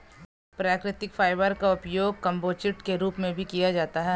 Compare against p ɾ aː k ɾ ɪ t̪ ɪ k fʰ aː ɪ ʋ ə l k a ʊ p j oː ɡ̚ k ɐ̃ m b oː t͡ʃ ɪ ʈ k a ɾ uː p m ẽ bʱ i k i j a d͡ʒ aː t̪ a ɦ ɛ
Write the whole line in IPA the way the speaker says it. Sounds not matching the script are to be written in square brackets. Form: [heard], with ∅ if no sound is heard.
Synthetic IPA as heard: p ɾ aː k ɾ ɪ t̪ ɪ k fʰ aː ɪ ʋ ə [ɾ] k a ʊ p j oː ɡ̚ k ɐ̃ m b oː t͡ʃ ɪ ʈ k [e] ɾ uː p m ẽ bʱ i k i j a d͡ʒ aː t̪ a ɦ ɛ